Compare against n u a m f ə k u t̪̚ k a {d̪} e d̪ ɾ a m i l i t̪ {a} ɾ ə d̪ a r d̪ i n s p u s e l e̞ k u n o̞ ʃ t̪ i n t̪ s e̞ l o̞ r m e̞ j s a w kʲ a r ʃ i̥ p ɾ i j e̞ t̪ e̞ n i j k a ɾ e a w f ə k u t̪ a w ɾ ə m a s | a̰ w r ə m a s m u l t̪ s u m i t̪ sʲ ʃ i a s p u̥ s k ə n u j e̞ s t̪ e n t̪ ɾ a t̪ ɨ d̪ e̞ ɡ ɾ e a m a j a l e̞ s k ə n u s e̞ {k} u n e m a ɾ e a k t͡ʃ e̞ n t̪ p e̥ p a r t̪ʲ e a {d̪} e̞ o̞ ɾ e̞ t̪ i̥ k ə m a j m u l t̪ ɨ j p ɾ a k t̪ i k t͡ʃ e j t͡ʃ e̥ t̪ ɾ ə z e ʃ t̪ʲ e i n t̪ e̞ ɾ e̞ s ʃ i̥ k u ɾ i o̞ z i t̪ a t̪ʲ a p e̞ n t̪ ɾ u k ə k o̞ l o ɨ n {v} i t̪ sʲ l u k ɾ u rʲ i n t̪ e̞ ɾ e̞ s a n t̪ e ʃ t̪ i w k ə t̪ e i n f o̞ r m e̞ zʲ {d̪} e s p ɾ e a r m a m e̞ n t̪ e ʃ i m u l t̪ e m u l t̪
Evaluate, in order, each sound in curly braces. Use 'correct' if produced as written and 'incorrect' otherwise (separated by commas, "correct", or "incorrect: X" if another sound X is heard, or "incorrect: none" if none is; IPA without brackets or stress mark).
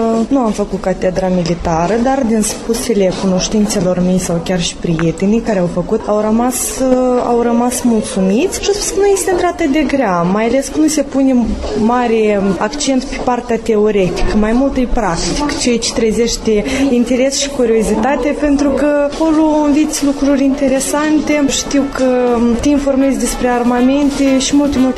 incorrect: t̪, correct, incorrect: p, incorrect: t̪, correct, correct